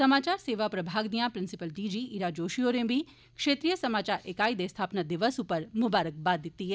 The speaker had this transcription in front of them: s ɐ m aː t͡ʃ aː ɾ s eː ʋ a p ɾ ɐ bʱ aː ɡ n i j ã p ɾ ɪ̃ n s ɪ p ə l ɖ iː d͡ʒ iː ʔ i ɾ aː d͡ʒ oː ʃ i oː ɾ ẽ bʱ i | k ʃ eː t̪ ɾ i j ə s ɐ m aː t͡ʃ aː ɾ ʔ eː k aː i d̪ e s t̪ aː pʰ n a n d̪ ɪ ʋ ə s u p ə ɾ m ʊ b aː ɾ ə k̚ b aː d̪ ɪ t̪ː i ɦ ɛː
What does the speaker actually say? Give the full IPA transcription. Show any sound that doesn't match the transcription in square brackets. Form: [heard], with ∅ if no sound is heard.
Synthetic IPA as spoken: s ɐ m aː t͡ʃ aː ɾ s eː ʋ a p ɾ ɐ bʱ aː ɡ n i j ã p ɾ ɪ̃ n s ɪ p ə l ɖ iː d͡ʒ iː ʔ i ɾ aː d͡ʒ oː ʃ i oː ɾ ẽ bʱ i | k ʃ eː t̪ ɾ i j ə s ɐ m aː t͡ʃ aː ɾ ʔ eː k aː i d̪ e s [t̪ʰ] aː [p] n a [∅] d̪ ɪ ʋ ə s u p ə ɾ m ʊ b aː ɾ ə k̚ b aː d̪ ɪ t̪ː i ɦ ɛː